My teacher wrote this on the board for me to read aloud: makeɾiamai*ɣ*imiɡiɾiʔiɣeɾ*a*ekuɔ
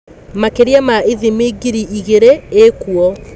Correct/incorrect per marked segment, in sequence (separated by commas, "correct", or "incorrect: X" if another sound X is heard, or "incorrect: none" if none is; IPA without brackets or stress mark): incorrect: ð, incorrect: e